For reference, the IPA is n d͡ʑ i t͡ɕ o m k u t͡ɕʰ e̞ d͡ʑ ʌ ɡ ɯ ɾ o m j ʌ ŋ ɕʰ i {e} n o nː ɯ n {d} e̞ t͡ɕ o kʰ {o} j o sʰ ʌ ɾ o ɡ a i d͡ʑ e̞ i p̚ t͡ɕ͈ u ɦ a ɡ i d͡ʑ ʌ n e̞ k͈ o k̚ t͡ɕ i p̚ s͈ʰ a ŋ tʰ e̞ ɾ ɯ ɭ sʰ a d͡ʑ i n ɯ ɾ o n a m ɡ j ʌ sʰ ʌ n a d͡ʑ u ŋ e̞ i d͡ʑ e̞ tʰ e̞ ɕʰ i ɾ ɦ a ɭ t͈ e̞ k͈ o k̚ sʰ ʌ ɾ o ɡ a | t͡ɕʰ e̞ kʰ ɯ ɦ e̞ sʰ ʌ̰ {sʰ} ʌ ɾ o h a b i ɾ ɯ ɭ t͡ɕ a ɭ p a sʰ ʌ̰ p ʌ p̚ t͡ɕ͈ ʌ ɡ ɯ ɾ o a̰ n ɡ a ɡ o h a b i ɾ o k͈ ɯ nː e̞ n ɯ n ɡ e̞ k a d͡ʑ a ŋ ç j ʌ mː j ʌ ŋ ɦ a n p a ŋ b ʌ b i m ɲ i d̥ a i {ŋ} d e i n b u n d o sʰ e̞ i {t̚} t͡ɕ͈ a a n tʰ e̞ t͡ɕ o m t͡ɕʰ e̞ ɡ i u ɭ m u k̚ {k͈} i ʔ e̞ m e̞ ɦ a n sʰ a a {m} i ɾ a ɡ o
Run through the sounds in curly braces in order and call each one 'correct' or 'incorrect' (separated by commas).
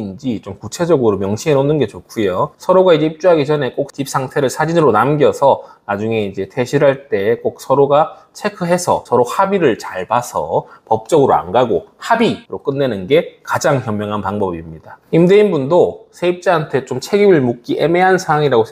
correct, incorrect, incorrect, correct, incorrect, incorrect, correct, incorrect